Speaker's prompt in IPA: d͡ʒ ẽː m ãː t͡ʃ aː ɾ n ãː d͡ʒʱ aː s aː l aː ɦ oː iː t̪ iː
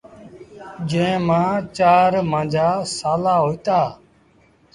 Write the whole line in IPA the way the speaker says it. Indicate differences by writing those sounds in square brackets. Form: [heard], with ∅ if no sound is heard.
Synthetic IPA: d͡ʒ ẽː m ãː t͡ʃ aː ɾ [m] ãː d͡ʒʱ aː s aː l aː ɦ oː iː t̪ [aː]